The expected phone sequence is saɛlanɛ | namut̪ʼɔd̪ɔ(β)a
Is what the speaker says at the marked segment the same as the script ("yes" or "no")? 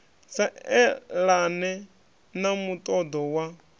no